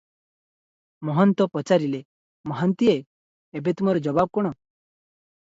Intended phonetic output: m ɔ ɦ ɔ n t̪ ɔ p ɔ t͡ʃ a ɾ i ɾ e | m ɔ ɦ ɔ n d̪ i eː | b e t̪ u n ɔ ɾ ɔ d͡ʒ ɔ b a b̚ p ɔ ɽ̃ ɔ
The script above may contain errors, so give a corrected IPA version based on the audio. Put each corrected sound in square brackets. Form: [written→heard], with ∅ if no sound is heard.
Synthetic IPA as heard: m ɔ ɦ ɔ n t̪ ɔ p ɔ t͡ʃ a ɾ i [ɾ→l] e | m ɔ ɦ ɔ n [d̪→t̪] i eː | b e t̪ u [n→m] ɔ ɾ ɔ d͡ʒ ɔ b a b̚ [p→k] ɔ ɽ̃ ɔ